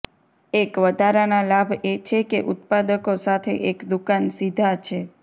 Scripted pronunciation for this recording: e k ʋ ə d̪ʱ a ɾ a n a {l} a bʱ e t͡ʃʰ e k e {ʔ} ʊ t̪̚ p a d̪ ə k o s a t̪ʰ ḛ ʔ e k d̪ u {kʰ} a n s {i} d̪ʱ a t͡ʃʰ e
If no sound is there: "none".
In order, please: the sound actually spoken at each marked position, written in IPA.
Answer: l, ʔ, k, i

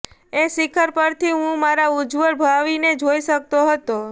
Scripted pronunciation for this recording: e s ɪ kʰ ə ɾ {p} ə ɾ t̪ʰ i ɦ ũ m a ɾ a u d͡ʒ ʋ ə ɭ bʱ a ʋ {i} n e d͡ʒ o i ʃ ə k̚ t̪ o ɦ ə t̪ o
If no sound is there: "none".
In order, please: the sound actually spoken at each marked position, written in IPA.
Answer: p, i

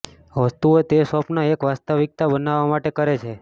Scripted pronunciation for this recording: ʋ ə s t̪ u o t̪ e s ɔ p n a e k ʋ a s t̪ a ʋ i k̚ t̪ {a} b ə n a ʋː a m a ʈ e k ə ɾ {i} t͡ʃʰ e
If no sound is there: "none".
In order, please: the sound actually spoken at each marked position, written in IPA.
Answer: a, e

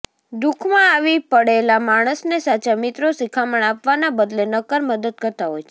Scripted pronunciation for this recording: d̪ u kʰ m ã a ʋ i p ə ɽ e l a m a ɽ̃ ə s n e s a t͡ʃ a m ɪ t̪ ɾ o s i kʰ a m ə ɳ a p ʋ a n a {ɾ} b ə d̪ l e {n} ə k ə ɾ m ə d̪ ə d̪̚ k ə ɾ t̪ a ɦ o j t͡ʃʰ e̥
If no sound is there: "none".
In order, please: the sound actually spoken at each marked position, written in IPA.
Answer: none, n

